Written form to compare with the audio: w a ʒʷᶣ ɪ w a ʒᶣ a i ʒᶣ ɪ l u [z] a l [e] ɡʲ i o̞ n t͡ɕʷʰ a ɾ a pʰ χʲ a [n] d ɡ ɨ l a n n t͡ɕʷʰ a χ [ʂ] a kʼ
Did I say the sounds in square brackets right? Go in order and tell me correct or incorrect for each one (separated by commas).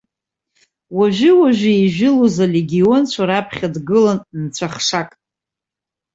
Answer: correct, correct, incorrect, correct